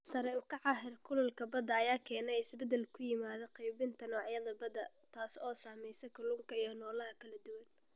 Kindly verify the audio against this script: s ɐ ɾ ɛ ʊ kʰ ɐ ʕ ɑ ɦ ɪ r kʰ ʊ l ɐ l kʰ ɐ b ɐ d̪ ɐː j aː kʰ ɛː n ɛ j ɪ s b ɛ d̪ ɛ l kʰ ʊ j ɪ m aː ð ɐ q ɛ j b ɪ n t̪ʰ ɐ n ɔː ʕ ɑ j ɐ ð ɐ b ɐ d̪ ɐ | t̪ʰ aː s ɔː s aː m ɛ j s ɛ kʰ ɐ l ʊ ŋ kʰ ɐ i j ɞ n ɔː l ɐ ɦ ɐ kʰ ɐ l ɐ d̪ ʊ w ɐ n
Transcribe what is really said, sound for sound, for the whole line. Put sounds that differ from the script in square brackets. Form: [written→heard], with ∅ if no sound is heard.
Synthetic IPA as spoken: s ɐ ɾ ɛ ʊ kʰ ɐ ʕ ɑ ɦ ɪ r kʰ ʊ l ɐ l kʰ ɐ b ɐ d̪ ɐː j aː kʰ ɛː n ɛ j ɪ s b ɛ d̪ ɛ l kʰ ʊ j ɪ m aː ð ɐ q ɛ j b ɪ n t̪ʰ ɐ n ɔː ʕ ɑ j ɐ ð ɐ b ɐ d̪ ɐ | t̪ʰ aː s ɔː s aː m ɛ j s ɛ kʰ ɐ l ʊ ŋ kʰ ɐ i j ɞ n ɔː l ɐ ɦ ɐ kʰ ɐ l ɐ d̪ ʊ w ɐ n